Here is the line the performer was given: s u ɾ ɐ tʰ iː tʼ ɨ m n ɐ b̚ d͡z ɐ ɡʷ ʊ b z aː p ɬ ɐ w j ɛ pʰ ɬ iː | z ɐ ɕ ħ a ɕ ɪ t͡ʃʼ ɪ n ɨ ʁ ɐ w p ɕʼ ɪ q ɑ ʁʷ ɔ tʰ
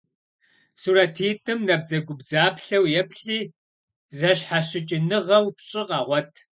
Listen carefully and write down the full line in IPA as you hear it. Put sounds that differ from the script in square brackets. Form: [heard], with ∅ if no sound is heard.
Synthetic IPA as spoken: s u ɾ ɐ tʰ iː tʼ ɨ m n ɐ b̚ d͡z ɐ ɡʷ ʊ b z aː p ɬ ɐ w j ɛ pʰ ɬ iː | z ɐ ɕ ħ a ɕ ɪ t͡ʃʼ ɪ n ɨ ʁ ɐ w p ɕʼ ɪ q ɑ ʁʷ ɔ tʰ